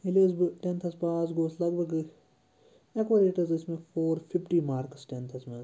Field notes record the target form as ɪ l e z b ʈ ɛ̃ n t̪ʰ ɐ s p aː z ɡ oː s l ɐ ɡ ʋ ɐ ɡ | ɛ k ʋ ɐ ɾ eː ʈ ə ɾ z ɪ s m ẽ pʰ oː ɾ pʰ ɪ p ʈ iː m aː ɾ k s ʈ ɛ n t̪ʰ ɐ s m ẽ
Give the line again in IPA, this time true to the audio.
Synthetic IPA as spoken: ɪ l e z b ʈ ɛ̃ n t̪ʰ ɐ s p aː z ɡ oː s l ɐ ɡ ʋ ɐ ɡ | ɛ k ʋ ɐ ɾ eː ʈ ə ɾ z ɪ s m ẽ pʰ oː ɾ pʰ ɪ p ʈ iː m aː ɾ k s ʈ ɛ n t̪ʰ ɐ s m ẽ